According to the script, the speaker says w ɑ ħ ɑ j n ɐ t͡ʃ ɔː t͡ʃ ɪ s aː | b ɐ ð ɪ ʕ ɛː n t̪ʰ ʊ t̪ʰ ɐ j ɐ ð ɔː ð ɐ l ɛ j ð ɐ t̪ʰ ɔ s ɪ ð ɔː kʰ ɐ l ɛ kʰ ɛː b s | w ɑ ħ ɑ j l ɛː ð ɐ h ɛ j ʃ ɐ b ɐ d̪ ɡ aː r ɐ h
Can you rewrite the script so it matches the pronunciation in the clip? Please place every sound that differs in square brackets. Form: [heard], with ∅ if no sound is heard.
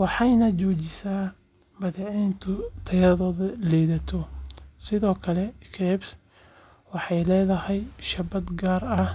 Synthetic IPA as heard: w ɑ ħ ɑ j n ɐ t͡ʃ ɔː t͡ʃ ɪ s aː | b ɐ ð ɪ ʕ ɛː n t̪ʰ ʊ t̪ʰ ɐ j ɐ ð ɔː ð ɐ l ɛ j ð ɐ t̪ʰ ɔ s ɪ ð ɔː kʰ ɐ l ɛ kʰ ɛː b s | w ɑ ħ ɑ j l ɛː ð ɐ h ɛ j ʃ ɐ b ɐ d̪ ɡ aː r ɐ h